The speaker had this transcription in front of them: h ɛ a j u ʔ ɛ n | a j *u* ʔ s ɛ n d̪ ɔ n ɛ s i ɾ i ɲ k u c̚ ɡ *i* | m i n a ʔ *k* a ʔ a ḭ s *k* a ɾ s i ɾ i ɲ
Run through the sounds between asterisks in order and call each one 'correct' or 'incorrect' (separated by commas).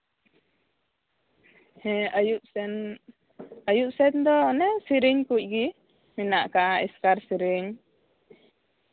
correct, correct, correct, correct